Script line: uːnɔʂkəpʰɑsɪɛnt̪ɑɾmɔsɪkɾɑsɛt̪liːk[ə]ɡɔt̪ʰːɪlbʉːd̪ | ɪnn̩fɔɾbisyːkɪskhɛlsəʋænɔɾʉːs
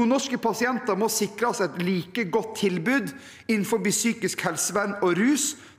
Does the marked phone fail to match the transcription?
no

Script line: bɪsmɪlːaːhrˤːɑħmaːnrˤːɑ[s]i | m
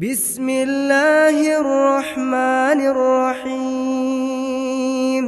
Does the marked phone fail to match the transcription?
yes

